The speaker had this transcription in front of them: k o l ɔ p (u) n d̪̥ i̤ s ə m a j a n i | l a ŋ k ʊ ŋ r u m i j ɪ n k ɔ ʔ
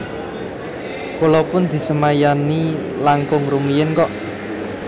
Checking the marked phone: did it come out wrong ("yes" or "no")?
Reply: yes